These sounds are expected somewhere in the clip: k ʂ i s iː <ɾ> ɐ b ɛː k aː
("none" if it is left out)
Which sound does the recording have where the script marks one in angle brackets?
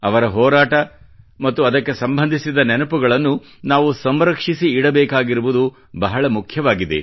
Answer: ɽ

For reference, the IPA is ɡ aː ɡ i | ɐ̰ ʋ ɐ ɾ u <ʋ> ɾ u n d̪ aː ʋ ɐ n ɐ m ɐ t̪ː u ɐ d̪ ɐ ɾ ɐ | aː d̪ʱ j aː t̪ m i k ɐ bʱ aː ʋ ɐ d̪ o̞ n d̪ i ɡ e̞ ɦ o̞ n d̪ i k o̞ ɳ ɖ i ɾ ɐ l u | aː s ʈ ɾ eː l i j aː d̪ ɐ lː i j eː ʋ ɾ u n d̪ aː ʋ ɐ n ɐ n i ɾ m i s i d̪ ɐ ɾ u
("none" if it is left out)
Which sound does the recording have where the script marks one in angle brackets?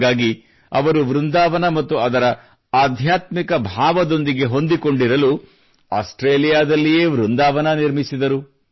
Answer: ʋ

